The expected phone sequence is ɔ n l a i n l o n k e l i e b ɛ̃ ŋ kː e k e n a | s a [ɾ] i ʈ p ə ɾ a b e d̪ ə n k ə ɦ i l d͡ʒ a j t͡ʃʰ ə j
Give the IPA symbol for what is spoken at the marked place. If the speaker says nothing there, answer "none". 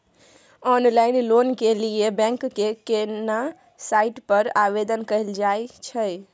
none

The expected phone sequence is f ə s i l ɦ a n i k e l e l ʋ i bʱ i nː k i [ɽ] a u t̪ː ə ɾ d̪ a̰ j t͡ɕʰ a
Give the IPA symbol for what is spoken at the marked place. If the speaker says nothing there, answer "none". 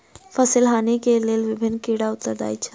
ɽ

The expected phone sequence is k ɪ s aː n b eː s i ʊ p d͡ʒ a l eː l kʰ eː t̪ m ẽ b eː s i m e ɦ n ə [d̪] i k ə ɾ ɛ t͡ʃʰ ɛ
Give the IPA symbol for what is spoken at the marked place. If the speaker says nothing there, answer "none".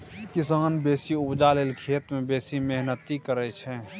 t̪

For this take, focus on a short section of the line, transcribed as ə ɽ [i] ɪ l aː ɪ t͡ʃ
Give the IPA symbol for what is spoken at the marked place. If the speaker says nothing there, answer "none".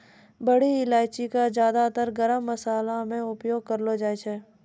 i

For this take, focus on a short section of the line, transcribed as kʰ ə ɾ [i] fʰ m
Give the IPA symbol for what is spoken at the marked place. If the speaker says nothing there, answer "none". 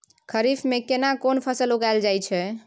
i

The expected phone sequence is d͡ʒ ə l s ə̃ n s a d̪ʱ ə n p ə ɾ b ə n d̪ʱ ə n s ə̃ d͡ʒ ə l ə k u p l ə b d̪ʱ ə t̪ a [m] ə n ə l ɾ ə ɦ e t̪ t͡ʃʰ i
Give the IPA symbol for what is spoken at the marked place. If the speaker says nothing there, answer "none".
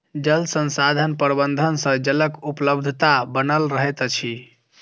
b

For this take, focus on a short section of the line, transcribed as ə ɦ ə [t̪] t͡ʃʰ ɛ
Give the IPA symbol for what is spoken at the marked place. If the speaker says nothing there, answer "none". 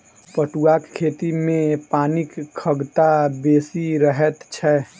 t̪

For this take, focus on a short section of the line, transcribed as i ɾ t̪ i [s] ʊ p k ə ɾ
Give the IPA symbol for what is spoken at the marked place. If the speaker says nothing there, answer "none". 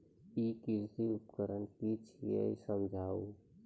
none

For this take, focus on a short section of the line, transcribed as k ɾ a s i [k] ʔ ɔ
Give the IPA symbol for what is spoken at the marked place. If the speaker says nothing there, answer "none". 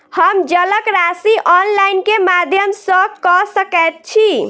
none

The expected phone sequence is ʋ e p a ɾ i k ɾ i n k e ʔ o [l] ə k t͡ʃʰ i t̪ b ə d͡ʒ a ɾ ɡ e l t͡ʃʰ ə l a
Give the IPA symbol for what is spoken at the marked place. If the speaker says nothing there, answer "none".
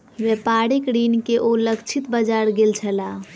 l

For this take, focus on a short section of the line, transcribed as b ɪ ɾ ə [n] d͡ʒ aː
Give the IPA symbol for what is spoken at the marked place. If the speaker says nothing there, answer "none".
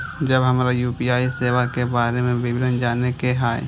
n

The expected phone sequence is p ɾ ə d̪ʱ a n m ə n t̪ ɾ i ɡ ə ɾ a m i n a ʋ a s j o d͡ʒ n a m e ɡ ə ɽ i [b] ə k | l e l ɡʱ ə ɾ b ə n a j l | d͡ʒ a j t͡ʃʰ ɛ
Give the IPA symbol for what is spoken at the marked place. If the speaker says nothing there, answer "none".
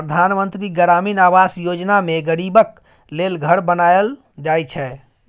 b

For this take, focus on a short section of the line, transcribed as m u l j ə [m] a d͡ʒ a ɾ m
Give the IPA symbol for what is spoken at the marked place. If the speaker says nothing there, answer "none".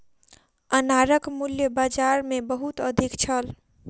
b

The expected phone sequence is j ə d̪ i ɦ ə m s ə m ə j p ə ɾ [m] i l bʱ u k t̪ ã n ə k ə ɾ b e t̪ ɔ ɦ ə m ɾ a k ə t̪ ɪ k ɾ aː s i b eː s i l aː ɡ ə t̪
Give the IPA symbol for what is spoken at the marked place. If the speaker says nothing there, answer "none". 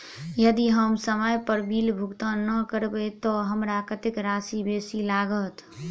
b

